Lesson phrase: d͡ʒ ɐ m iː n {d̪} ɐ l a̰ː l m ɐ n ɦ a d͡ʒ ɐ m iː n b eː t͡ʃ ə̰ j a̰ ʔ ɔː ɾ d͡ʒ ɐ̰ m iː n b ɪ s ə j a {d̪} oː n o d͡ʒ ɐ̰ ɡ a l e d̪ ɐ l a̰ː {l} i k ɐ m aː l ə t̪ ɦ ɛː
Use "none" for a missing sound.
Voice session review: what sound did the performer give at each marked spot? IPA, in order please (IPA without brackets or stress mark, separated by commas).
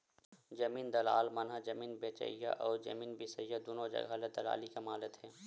d̪, d̪, l